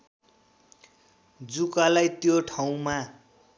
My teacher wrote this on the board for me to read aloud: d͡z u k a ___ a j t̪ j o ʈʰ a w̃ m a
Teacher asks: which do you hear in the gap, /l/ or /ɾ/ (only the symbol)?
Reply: l